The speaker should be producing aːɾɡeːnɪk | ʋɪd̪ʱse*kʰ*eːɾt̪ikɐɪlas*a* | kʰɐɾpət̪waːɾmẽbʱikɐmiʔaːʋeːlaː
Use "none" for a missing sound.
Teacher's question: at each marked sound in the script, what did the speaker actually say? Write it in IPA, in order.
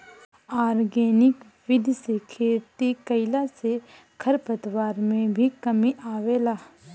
kʰ, e

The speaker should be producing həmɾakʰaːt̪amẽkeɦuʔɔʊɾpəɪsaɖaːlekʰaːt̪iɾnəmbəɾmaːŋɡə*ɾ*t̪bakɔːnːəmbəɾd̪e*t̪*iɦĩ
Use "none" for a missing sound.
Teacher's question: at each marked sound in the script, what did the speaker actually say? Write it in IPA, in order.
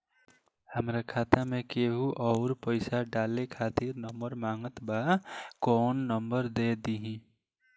none, d̪

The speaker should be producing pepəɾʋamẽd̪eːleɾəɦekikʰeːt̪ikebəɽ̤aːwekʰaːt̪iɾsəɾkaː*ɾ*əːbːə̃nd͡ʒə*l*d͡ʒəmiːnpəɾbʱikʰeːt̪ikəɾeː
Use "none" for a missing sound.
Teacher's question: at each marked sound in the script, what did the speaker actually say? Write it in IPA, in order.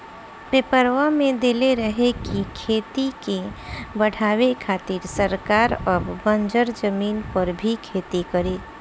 ɾ, ɾ

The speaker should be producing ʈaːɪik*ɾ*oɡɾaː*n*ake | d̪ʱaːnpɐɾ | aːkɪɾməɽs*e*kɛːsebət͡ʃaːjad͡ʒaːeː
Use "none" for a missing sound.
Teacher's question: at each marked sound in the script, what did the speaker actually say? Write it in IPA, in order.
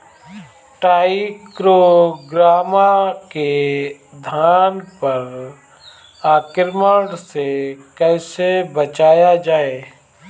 ɾ, m, e

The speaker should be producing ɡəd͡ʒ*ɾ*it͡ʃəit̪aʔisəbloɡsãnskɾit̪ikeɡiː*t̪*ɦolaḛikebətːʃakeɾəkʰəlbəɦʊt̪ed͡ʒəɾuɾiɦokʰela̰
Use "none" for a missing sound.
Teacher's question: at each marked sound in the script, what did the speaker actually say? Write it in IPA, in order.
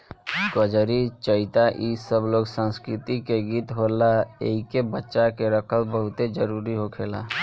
ɾ, t̪

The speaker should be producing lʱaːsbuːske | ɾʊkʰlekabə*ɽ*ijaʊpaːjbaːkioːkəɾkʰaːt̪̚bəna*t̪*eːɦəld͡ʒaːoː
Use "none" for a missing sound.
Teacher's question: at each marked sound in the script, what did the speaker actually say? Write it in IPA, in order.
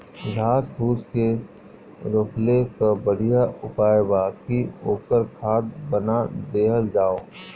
ɽ, d̪

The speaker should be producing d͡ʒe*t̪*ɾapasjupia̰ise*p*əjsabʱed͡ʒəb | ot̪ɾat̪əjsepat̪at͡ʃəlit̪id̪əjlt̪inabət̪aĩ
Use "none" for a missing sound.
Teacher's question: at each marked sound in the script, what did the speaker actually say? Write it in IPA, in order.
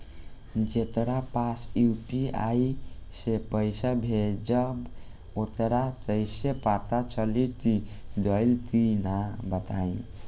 t̪, p

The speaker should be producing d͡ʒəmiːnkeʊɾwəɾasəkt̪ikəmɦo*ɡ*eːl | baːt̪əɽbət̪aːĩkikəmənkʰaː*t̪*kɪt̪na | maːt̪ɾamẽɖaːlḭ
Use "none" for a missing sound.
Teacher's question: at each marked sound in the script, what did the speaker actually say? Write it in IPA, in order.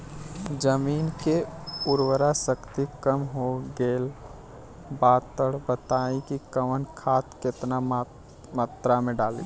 ɡ, t̪

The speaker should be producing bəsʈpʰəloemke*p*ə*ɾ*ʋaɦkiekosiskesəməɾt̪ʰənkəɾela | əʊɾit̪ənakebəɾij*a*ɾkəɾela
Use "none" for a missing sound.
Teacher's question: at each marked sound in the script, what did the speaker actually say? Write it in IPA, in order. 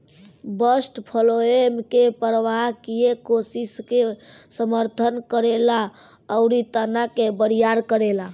p, ɾ, a

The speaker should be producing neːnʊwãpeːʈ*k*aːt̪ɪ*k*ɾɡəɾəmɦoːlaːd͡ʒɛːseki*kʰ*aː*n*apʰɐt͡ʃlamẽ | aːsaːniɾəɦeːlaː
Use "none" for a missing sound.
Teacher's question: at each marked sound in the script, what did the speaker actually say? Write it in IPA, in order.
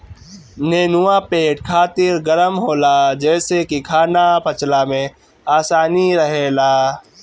kʰ, none, kʰ, n

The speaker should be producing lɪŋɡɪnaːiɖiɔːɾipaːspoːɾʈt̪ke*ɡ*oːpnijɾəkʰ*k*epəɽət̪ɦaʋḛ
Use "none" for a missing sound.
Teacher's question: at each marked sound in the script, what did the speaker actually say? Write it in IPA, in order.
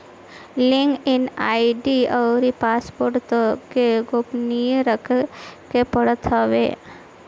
ɡ, k

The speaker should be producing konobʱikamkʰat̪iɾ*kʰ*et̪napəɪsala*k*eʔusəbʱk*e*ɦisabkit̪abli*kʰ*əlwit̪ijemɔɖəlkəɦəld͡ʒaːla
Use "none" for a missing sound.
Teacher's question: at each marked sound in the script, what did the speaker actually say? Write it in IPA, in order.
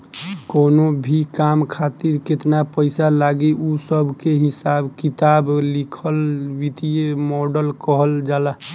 k, ɡ, e, kʰ

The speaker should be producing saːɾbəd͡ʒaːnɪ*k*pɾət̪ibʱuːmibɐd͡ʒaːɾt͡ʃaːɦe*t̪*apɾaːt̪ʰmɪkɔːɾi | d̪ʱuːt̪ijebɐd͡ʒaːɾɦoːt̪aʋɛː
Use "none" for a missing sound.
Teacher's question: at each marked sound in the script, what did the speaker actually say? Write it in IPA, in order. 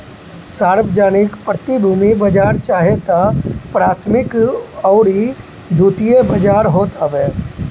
k, t̪

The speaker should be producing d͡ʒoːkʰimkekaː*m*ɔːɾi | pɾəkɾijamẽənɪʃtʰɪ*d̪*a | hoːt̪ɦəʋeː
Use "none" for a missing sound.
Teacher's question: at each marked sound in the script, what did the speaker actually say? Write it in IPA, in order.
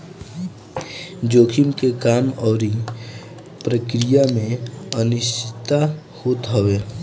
m, t̪

